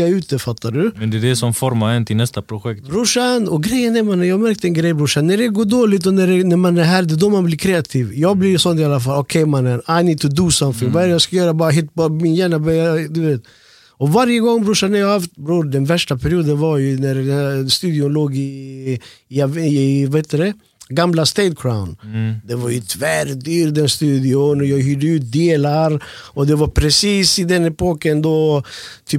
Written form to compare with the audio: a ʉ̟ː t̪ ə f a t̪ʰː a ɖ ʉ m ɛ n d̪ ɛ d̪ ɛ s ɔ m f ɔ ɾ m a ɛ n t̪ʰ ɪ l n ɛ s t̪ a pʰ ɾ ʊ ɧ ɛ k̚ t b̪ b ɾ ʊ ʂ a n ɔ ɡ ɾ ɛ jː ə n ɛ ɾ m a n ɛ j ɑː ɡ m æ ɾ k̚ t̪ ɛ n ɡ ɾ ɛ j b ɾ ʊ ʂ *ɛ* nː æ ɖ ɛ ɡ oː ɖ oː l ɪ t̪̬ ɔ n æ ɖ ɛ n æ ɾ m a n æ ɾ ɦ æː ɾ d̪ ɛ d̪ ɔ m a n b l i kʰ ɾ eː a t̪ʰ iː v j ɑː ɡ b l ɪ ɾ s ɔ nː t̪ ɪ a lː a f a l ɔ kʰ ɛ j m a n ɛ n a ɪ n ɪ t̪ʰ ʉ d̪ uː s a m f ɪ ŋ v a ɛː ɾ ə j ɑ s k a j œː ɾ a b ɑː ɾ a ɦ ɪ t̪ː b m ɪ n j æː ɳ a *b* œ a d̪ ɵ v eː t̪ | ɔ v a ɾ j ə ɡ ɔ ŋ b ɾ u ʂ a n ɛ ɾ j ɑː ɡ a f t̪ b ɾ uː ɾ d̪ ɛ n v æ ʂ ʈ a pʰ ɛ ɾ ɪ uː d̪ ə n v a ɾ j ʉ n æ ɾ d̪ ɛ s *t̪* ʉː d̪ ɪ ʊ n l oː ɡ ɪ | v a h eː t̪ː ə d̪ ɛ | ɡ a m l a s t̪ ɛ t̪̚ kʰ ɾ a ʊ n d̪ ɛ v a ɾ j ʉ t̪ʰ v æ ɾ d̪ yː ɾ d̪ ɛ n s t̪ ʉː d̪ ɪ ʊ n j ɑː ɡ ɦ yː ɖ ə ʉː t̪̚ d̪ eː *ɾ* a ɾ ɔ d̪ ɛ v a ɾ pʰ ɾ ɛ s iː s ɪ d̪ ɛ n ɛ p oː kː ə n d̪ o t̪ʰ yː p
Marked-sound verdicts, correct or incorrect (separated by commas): incorrect, correct, correct, incorrect